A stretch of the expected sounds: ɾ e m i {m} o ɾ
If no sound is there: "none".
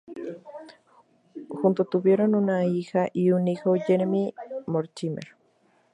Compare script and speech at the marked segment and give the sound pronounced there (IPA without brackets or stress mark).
m